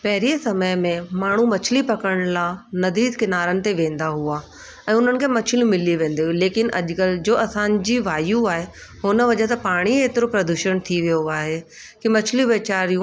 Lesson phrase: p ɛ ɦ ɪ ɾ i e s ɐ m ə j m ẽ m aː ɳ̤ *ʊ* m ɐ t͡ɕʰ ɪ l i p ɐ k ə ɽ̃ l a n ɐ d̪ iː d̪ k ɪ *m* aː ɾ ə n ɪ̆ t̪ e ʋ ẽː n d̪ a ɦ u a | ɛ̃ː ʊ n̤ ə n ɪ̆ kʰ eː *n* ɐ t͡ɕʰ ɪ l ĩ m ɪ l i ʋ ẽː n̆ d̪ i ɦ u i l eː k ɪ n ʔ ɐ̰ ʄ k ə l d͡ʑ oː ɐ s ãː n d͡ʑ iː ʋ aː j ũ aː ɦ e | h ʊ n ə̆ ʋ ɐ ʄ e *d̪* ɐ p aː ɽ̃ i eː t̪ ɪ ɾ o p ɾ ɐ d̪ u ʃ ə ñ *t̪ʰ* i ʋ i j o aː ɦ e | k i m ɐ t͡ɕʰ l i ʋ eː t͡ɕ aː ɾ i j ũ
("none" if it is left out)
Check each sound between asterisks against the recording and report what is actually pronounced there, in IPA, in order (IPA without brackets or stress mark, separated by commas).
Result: u, n, m, t̪, t̪ʰ